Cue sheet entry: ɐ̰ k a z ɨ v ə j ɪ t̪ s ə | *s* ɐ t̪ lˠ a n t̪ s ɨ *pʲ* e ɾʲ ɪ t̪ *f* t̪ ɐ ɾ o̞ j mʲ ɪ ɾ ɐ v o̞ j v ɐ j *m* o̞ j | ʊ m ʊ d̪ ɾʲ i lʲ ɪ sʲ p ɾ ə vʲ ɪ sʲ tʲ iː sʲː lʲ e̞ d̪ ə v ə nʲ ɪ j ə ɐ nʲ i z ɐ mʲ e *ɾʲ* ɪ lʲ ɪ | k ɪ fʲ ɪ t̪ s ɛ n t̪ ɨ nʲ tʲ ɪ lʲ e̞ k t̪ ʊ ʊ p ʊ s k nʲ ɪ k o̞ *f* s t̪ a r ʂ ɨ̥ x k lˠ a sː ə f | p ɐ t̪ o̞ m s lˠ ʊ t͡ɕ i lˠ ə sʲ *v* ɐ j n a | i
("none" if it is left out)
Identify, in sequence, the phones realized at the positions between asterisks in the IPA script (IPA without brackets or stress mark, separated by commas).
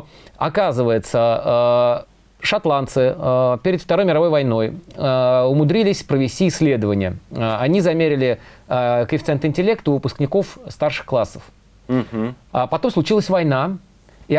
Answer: ʂ, pʲ, f, n, ɾʲ, f, v